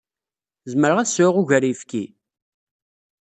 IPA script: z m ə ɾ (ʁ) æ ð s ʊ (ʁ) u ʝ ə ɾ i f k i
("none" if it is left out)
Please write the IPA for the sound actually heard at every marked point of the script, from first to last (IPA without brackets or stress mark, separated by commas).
ʁ, ʁ